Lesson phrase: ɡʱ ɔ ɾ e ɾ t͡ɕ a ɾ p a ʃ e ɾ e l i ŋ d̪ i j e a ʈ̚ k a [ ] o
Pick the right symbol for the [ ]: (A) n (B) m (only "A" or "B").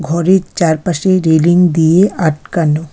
A